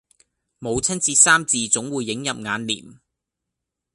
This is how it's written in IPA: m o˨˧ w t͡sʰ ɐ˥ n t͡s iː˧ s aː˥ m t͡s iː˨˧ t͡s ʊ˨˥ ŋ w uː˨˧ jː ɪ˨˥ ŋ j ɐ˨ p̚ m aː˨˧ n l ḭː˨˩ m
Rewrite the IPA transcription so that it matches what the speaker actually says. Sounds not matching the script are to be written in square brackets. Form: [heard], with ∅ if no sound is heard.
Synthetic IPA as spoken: m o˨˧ w t͡sʰ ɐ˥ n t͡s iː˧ s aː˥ m t͡s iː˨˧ t͡s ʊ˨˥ ŋ w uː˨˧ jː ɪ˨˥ ŋ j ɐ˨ p̚ [ŋ] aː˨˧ n l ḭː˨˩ m